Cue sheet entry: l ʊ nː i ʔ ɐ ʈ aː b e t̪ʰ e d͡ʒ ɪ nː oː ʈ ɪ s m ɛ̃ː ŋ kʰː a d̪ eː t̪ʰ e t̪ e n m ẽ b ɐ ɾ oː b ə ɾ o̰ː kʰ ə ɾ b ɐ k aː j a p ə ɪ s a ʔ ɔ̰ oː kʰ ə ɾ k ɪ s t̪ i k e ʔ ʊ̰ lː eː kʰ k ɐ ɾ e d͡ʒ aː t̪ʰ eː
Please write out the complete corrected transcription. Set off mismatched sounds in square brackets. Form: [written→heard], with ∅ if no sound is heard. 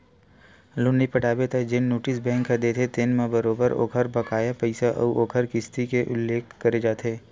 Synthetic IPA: l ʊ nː i [ʔ→p] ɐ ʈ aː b e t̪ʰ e d͡ʒ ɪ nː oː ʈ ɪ s [m→b] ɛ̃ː ŋ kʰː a d̪ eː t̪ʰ e t̪ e n m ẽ b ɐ ɾ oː b ə ɾ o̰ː kʰ ə ɾ b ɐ k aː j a p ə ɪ s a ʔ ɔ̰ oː kʰ ə ɾ k ɪ s t̪ i k e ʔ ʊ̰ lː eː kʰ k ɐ ɾ e d͡ʒ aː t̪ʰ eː